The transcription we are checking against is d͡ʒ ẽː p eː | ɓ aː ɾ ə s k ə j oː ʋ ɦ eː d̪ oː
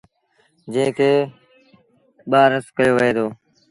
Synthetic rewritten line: d͡ʒ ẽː k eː | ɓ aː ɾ ə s k ə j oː ʋ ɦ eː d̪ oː